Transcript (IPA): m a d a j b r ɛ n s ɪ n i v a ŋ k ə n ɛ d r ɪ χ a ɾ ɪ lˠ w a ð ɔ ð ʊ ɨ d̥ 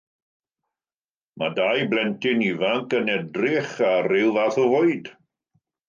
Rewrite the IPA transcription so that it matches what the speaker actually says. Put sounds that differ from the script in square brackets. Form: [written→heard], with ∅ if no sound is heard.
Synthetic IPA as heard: m a d a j b [r→l] ɛ n [s→t] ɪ n i v a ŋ k ə n ɛ d r ɪ χ a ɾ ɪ lˠ [w→v] a [ð→θ] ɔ [ð→v] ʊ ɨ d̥